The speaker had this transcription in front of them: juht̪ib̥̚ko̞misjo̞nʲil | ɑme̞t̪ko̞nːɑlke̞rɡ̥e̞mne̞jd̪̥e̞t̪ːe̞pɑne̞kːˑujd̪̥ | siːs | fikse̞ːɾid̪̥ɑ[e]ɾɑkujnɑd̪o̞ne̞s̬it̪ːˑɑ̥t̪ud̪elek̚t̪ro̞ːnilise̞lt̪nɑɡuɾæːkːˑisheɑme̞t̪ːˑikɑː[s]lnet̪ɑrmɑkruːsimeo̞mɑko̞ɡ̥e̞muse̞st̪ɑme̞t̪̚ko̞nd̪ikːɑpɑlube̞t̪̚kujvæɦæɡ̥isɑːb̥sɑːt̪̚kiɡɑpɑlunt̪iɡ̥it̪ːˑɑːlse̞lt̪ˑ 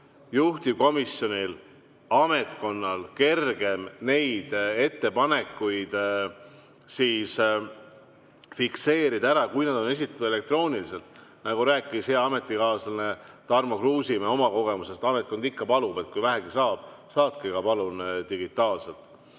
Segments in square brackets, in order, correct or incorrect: incorrect: æ, correct

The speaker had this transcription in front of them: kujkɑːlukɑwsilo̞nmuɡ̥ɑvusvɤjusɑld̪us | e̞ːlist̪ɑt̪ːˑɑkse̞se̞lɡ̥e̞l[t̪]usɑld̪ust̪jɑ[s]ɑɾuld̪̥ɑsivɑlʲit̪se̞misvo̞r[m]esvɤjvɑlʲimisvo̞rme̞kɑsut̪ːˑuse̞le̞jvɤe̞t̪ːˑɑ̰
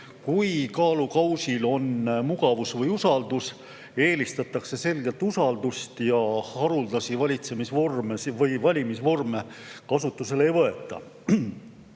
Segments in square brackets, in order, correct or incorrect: correct, incorrect: h, correct

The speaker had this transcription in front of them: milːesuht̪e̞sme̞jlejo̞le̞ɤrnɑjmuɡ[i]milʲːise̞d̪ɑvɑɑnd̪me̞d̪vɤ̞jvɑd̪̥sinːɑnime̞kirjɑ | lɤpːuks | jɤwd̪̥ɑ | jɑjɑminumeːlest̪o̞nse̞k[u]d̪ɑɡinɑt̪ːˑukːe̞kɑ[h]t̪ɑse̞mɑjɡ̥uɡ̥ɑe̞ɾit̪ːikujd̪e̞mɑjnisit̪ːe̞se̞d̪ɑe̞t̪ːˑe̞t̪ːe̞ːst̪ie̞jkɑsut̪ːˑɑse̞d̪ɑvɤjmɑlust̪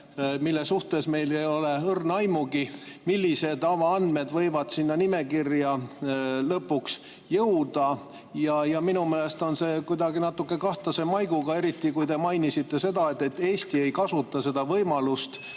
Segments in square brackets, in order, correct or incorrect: correct, correct, correct

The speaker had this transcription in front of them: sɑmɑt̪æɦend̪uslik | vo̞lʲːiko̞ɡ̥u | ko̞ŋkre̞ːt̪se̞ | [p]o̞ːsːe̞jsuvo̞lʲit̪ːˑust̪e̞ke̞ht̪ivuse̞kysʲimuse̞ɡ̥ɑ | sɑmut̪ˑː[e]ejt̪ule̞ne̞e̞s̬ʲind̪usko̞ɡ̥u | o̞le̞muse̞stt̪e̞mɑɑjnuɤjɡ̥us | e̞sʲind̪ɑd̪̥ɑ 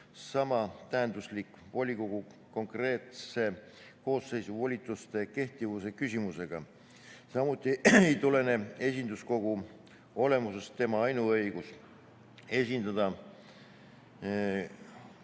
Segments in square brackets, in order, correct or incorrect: incorrect: k, incorrect: i

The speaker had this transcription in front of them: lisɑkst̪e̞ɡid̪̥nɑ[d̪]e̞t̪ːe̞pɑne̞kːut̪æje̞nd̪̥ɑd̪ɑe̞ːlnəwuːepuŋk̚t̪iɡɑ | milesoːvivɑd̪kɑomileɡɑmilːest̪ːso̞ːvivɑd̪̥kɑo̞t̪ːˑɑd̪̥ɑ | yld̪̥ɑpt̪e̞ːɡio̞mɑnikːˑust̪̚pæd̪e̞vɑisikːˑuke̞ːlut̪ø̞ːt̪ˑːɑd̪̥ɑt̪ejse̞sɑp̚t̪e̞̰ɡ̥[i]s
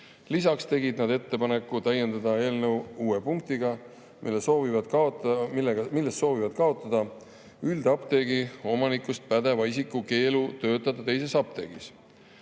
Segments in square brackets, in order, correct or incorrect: correct, correct

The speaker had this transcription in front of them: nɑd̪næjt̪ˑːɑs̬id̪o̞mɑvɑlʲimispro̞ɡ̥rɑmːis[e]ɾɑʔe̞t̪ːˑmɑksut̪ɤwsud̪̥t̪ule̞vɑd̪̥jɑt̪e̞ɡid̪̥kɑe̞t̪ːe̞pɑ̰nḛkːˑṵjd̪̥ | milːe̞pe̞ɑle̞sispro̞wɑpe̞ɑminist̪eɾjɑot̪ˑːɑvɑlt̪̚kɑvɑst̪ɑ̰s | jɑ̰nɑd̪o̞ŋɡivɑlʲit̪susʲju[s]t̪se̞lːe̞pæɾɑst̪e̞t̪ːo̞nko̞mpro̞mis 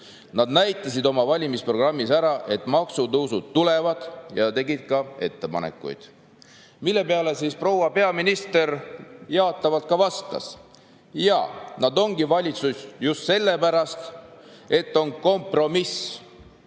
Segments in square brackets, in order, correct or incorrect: incorrect: æ, correct

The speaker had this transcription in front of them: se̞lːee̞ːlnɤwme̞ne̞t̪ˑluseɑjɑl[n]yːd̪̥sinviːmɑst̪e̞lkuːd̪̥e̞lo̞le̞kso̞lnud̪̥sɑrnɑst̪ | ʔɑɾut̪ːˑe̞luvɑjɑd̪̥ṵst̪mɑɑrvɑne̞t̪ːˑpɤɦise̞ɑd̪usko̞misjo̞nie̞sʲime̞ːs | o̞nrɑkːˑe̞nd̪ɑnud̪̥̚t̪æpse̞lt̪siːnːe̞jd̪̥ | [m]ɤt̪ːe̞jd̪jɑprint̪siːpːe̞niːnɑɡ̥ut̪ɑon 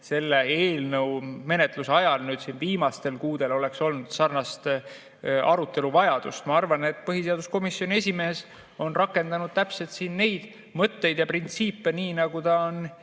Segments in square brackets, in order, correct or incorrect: correct, correct

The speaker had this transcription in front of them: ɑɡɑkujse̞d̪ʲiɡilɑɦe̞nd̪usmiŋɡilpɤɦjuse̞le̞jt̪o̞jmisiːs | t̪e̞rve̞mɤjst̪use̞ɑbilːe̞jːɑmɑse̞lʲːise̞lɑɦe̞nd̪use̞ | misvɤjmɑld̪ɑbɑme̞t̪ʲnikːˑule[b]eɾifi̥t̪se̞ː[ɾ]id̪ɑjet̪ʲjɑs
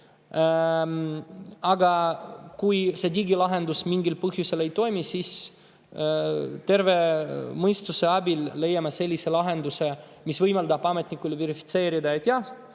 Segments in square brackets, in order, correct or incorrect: incorrect: v, correct

